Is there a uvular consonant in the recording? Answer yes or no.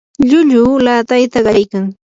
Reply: yes